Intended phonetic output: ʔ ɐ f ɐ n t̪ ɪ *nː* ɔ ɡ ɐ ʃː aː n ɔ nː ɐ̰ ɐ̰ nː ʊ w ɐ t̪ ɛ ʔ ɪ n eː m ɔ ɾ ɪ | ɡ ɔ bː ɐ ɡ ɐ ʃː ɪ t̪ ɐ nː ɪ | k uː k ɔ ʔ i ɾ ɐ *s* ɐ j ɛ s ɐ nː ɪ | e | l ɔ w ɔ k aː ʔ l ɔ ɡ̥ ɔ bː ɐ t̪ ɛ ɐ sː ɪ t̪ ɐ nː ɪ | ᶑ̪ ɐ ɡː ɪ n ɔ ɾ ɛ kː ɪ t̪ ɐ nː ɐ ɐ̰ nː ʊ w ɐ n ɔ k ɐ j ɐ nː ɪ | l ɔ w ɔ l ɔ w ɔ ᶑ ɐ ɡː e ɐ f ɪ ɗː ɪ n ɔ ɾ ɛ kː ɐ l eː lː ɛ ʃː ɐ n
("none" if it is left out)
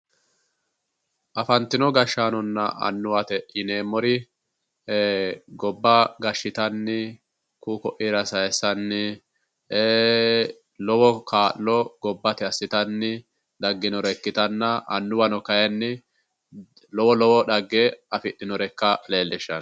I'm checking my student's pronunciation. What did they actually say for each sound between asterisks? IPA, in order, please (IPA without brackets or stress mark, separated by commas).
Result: n, s